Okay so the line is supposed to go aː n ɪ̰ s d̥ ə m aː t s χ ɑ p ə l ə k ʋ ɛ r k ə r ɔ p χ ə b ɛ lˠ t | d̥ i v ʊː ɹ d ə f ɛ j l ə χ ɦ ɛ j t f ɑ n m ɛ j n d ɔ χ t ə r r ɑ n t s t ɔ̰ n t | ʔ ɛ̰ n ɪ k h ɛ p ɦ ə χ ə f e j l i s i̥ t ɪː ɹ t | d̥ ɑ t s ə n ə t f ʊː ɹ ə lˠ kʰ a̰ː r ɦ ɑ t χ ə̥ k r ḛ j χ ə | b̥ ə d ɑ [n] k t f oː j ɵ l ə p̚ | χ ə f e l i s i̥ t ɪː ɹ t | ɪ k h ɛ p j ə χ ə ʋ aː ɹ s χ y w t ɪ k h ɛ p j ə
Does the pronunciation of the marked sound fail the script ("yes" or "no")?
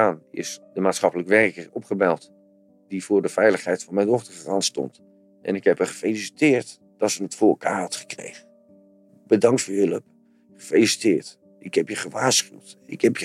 yes